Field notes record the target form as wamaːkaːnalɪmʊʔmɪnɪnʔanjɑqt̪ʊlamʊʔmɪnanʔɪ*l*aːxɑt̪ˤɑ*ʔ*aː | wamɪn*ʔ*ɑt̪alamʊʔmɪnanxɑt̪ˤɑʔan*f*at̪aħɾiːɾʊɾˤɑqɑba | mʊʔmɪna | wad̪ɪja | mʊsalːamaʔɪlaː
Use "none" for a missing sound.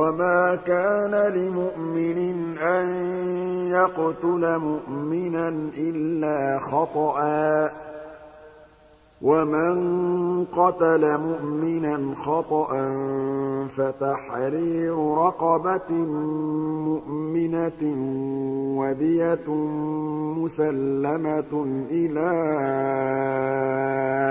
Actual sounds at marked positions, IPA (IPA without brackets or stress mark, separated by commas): lː, ʔ, q, f